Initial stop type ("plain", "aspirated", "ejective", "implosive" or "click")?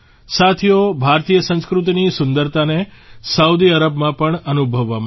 aspirated